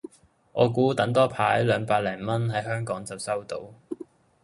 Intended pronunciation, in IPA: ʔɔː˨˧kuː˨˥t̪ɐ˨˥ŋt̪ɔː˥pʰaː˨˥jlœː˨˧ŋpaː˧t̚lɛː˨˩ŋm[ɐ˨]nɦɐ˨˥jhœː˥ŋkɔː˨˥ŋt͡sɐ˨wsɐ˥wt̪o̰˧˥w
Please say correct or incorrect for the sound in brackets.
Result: incorrect